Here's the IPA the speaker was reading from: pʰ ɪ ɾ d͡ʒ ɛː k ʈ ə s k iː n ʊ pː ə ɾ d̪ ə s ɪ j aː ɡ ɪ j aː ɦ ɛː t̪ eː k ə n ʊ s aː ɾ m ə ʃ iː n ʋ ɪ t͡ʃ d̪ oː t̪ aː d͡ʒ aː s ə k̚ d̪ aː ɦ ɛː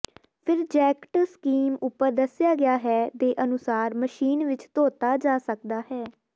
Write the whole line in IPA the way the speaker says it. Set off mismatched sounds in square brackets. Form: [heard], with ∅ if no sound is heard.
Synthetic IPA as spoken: pʰ ɪ ɾ d͡ʒ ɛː k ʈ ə s k iː [m] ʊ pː ə ɾ d̪ ə s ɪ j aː ɡ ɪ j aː ɦ ɛː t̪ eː [ʔ] ə n ʊ s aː ɾ m ə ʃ iː n ʋ ɪ t͡ʃ [t̪] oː t̪ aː d͡ʒ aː s ə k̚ d̪ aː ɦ ɛː